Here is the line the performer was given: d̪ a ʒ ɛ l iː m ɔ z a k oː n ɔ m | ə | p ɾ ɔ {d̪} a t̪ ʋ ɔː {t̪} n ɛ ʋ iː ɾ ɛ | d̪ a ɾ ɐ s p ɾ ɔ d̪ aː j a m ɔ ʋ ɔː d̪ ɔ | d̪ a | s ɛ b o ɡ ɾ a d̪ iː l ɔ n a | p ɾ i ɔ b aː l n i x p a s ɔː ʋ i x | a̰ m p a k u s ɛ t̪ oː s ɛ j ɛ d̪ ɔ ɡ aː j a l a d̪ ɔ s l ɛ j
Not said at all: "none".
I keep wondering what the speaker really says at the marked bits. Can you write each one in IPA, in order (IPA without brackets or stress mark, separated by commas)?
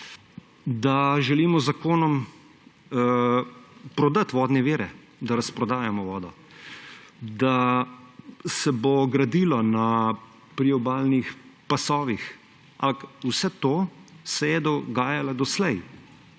d̪, d̪